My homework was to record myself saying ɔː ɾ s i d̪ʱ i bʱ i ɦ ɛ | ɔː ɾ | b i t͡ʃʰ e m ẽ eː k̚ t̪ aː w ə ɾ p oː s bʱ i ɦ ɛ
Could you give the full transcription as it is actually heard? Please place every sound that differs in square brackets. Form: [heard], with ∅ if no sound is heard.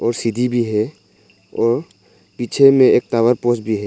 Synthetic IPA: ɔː ɾ s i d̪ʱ i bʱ i ɦ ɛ | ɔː ɾ | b i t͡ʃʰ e m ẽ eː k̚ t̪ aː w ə ɾ p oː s bʱ i ɦ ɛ